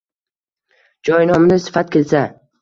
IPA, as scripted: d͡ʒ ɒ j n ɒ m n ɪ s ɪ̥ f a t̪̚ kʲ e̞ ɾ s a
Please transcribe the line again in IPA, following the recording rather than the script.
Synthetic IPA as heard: d͡ʒ ɒ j n ɒ m n ɪ s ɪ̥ f a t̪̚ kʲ e̞ l s a